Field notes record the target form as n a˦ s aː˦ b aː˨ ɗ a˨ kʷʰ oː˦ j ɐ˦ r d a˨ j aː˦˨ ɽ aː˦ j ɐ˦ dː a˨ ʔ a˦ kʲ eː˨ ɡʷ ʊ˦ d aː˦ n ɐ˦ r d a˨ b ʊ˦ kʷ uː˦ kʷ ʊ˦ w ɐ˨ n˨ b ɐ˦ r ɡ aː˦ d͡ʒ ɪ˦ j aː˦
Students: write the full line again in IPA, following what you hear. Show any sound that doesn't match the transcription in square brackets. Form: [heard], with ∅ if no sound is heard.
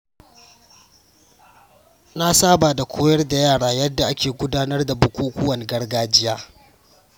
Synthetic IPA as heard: n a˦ s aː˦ b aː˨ [d] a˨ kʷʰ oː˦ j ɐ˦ r d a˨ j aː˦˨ ɽ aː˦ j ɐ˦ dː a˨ ʔ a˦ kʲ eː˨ ɡʷ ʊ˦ d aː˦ n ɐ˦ r d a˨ b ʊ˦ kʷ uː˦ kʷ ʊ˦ w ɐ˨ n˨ [ɡ] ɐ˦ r ɡ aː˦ d͡ʒ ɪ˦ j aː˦